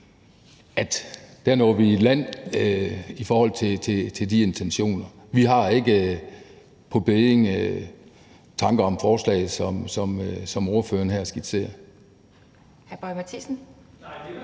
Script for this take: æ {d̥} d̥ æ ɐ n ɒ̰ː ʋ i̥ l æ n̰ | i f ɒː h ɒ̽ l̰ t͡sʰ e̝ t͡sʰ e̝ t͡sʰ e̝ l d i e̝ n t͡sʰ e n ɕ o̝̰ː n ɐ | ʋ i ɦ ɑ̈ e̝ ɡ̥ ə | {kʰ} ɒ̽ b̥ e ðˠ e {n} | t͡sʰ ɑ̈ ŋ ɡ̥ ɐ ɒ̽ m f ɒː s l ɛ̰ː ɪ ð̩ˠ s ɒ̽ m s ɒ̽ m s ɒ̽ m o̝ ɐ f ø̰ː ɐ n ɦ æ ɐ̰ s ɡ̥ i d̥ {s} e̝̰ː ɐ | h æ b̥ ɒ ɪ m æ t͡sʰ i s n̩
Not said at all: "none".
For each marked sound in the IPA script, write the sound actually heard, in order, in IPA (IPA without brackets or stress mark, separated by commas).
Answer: d̥, pʰ, ŋ, s